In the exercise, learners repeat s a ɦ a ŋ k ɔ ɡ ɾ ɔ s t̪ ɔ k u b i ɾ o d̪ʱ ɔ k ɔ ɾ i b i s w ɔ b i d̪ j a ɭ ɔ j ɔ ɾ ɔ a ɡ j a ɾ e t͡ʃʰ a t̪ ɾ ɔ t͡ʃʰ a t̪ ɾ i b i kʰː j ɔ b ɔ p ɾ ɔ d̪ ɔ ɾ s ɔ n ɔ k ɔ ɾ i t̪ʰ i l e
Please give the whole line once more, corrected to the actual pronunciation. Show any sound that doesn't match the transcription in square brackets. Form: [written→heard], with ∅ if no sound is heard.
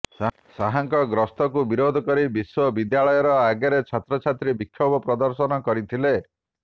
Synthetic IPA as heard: s a ɦ a ŋ k ɔ ɡ ɾ ɔ s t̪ ɔ k u b i ɾ o d̪ʱ ɔ k ɔ ɾ i b i s w ɔ b i d̪ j a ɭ ɔ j ɔ ɾ ɔ a ɡ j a ɾ e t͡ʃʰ a t̪ ɾ ɔ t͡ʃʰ a t̪ ɾ i b i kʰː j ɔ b ɔ p ɾ ɔ d̪ ɔ ɾ s ɔ n ɔ k ɔ ɾ i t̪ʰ i l e